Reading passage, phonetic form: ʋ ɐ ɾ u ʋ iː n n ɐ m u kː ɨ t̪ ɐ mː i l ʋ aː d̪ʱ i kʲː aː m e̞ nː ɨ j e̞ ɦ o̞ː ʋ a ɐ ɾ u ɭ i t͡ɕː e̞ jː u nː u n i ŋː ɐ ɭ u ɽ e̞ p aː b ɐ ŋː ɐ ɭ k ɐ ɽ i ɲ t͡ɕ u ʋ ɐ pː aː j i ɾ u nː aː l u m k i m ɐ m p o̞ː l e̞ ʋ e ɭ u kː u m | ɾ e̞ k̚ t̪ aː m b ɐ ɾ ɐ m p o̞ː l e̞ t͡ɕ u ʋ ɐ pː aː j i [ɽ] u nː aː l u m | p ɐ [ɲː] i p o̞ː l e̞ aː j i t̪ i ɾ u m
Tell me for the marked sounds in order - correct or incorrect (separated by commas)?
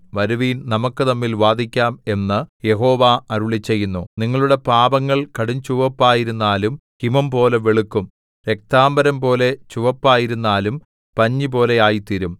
incorrect, correct